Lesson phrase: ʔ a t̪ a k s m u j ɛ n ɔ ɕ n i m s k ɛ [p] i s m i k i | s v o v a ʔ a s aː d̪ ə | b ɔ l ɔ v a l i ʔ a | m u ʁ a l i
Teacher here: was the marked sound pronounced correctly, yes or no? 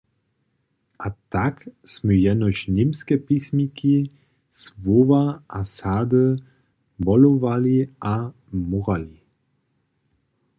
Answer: yes